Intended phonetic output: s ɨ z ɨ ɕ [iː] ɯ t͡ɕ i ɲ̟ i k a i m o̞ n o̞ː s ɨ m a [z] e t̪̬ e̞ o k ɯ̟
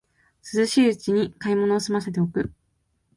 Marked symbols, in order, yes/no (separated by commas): yes, no